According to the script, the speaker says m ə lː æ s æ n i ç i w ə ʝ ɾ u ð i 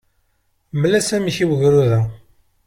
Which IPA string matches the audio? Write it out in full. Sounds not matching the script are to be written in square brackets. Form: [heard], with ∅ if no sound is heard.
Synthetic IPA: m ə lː æ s æ [m] i ç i w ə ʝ ɾ u ð [æ]